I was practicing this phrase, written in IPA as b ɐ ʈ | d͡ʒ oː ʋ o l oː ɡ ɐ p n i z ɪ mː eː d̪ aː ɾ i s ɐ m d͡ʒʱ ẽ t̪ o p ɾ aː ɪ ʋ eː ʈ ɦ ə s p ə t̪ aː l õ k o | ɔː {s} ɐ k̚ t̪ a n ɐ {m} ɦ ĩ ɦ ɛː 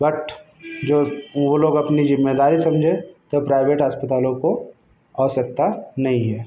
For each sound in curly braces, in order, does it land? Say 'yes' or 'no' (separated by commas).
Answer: yes, no